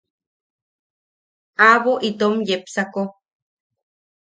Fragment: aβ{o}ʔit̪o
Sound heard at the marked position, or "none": o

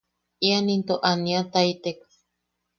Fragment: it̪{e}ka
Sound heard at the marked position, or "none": e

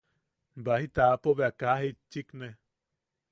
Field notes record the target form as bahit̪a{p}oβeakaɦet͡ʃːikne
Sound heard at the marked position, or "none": p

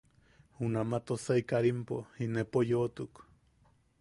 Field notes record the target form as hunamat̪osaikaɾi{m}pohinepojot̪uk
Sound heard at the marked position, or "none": m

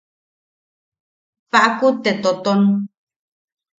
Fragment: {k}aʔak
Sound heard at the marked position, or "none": p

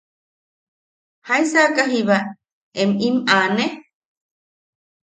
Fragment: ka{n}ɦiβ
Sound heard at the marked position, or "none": none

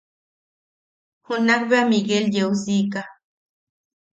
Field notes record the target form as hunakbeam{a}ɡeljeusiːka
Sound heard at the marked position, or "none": i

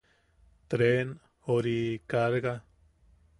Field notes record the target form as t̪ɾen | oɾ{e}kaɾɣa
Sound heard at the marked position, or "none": i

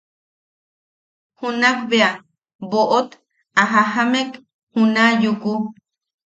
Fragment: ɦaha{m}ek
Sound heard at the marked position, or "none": m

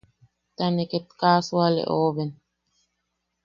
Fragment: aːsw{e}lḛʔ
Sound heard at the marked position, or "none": a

